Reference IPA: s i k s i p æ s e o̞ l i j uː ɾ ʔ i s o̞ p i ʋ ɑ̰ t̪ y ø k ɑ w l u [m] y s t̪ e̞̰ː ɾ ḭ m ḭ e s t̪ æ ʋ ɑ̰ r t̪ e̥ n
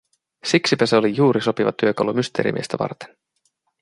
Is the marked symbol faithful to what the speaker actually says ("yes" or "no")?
yes